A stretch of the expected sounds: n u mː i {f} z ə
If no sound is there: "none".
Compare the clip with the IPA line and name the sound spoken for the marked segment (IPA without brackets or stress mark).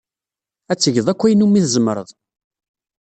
θ